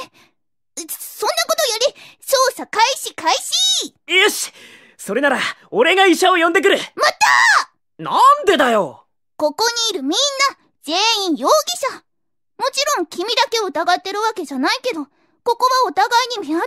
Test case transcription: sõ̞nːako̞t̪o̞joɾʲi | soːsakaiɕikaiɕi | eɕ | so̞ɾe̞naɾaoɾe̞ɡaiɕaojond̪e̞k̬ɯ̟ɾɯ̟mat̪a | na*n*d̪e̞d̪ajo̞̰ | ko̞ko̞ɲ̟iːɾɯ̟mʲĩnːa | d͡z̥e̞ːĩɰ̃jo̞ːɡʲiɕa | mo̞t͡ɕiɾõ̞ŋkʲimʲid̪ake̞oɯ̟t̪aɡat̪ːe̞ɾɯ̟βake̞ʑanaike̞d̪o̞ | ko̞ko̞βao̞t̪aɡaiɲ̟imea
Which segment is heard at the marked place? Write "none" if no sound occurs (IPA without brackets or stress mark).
n